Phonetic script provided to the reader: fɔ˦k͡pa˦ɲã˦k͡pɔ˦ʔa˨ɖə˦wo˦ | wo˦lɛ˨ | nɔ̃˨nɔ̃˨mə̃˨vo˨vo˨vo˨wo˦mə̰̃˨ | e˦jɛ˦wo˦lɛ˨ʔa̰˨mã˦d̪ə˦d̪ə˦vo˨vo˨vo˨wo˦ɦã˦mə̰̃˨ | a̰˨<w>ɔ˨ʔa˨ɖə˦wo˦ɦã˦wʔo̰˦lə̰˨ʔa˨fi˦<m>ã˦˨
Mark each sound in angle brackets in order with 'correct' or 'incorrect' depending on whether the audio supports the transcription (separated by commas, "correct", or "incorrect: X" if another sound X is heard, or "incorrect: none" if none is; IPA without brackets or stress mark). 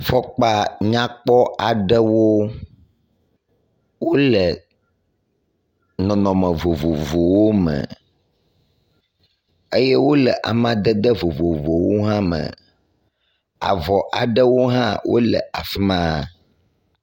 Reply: incorrect: v, correct